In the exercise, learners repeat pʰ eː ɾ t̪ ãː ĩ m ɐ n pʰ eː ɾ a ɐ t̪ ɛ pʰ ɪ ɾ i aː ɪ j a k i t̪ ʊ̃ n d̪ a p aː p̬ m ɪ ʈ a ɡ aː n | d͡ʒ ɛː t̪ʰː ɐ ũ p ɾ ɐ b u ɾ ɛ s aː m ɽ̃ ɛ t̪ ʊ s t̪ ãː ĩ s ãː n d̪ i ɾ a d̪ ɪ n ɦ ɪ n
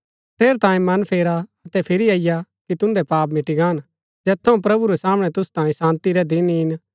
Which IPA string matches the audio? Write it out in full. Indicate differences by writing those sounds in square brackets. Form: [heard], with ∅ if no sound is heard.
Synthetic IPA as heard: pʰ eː ɾ t̪ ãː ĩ m ɐ n pʰ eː ɾ a ɐ t̪ ɛ pʰ ɪ ɾ i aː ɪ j a k i t̪ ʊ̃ n d̪ [ɛ] p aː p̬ m ɪ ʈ [i] ɡ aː n | d͡ʒ ɛː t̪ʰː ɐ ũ p ɾ ɐ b u ɾ ɛ s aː m ɽ̃ ɛ t̪ ʊ s t̪ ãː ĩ s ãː n [t̪] i ɾ [ɛ] d̪ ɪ n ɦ ɪ n